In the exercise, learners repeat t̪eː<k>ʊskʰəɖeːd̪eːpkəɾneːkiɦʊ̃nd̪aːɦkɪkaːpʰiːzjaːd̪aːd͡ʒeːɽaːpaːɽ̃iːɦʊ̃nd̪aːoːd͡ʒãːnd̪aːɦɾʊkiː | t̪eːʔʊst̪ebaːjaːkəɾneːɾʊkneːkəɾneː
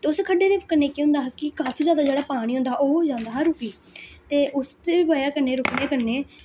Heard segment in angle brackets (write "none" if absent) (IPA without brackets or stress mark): none